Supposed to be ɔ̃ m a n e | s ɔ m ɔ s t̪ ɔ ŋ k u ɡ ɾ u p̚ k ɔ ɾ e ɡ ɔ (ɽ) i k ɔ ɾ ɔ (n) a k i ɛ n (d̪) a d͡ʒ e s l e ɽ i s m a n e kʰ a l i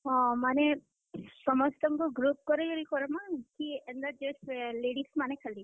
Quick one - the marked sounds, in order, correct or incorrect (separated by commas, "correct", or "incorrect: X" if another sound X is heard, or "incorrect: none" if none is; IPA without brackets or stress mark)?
incorrect: ɾ, incorrect: m, correct